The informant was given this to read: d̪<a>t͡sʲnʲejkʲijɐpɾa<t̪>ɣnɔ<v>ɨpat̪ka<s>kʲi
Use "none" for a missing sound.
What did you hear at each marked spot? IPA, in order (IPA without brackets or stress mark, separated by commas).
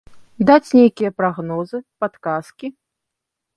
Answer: a, none, z, s